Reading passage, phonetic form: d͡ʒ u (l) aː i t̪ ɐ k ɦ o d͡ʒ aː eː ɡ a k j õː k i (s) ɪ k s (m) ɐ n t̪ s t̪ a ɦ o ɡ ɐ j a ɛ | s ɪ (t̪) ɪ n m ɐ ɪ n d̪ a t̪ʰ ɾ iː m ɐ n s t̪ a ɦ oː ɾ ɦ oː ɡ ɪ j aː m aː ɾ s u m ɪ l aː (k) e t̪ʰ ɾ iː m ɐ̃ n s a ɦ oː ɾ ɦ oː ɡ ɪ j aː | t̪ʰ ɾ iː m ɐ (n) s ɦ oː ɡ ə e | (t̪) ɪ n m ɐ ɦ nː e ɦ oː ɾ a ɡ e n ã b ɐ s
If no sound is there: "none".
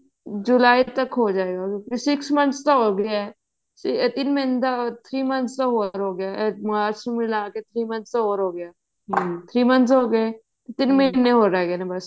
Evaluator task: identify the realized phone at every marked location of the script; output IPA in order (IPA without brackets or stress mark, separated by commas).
l, s, m, t̪, k, n, t̪